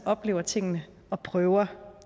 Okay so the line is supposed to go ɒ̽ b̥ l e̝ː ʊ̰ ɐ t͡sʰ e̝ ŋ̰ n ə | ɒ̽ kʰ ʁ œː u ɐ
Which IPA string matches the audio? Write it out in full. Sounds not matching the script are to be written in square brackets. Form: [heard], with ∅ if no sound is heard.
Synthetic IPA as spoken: ɒ̽ b̥ l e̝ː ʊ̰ ɐ t͡sʰ e̝ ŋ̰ n ə | ɒ̽ [pʰ] ʁ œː [ʊ] ɐ